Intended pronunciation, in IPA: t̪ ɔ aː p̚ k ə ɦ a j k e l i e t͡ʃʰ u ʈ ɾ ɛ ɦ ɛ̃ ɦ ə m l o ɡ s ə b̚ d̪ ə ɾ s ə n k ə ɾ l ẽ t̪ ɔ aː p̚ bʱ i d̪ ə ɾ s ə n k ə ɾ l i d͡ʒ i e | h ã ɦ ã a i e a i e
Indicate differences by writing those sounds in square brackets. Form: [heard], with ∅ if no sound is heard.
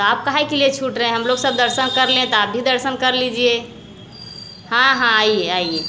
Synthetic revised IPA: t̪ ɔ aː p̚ k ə ɦ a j k e l i e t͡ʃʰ u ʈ ɾ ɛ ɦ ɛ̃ ɦ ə m l o ɡ s ə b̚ d̪ ə ɾ s ə n k ə ɾ l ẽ t̪ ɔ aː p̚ bʱ i d̪ ə ɾ s ə n k ə ɾ l i d͡ʒ i e | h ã ɦ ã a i e a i e